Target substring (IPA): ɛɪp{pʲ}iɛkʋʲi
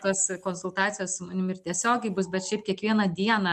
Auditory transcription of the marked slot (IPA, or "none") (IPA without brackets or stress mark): kʲ